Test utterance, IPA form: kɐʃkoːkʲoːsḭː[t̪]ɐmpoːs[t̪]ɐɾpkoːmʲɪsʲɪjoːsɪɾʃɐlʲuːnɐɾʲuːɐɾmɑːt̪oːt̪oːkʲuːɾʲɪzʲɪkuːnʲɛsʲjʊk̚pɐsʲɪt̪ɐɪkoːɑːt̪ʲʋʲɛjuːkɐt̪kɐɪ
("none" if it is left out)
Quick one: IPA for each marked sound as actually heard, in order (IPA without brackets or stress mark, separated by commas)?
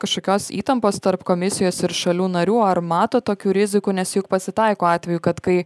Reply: t̪, t̪